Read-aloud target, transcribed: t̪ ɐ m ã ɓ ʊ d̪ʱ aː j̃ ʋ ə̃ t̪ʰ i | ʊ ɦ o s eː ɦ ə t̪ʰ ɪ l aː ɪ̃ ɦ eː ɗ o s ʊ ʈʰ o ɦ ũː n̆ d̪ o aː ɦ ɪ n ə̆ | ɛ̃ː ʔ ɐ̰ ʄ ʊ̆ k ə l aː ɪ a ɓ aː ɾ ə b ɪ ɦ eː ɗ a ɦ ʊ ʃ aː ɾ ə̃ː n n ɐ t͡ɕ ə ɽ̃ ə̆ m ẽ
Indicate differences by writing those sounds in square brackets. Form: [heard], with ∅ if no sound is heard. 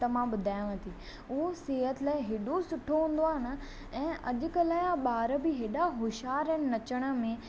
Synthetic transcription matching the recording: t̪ ɐ m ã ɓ ʊ d̪ʱ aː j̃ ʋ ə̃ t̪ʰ i | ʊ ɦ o s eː ɦ ə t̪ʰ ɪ l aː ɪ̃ ɦ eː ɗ o s ʊ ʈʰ o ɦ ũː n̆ d̪ o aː ɦ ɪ n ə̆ | ɛ̃ː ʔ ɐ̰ ʄ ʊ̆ k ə l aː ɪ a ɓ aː ɾ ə b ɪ ɦ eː ɗ a ɦ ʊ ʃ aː ɾ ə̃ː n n ɐ t͡ɕ ə ɽ̃ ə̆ m ẽ